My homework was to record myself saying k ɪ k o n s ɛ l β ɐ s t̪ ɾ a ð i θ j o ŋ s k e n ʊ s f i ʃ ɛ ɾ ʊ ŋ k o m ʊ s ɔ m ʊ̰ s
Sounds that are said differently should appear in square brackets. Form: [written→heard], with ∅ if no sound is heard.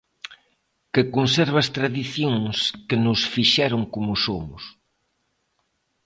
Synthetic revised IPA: k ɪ k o n s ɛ [l→ɾ] β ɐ s t̪ ɾ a ð i θ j o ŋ s k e n ʊ s f i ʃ ɛ ɾ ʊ ŋ k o m ʊ s [ɔ→o] m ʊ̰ s